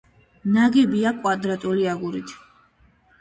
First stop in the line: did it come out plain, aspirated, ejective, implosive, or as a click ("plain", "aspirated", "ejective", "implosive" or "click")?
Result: plain